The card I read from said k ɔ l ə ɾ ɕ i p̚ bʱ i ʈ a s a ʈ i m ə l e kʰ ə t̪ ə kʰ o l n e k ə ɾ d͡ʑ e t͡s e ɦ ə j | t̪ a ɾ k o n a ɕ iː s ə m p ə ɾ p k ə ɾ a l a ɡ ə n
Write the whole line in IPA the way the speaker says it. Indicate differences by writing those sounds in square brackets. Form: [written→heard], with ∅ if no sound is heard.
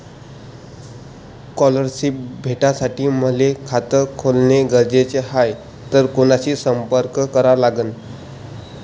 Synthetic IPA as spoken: k ɔ l ə ɾ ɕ i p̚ bʱ [i→e] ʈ a s a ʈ [i→iː] m ə l e kʰ [ə→a] t̪ ə kʰ o l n e [k→ɡ] ə ɾ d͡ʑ e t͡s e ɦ [ə→a] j | t̪ [a→ə] ɾ k o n a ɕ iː s ə m p ə ɾ [p→k] k ə ɾ a l a ɡ ə n